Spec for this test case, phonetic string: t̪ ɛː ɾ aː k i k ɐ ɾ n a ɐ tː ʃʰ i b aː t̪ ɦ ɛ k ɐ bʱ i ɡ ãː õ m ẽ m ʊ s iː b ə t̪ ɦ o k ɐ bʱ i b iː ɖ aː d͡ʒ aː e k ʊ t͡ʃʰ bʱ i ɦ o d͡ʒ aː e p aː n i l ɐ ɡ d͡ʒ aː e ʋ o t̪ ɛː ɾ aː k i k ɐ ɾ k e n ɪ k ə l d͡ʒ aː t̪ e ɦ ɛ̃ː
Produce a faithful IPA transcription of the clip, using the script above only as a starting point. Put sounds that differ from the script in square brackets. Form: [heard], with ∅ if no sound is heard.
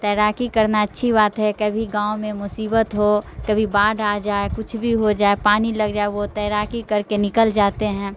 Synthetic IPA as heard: t̪ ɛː ɾ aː k i k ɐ ɾ n a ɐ tː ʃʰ i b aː t̪ ɦ ɛ k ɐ bʱ i ɡ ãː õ m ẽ m ʊ s iː b ə t̪ ɦ o k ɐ bʱ i b [aː] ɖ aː d͡ʒ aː e k ʊ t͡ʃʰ bʱ i ɦ o d͡ʒ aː e p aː n i l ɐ ɡ d͡ʒ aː e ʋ o t̪ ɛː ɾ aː k i k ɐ ɾ k e n ɪ k ə l d͡ʒ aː t̪ e ɦ ɛ̃ː